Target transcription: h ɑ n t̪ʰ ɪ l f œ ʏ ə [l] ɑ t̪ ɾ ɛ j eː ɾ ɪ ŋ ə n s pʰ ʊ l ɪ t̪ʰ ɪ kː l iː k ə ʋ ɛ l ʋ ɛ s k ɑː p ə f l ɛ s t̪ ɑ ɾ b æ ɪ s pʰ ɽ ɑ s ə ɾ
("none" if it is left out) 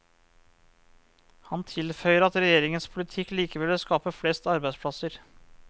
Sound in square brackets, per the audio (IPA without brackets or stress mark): ɾ